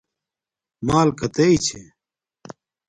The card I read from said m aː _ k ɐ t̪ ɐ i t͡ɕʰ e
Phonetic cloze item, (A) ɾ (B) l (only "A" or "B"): B